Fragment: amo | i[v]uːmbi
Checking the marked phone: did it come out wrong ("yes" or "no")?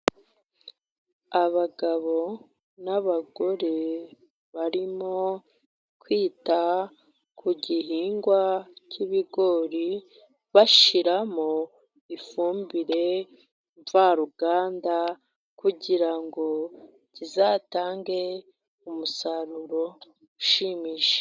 yes